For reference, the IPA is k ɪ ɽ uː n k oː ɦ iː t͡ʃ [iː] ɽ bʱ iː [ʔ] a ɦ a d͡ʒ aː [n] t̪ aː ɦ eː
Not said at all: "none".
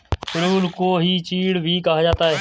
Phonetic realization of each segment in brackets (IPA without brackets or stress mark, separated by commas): iː, k, none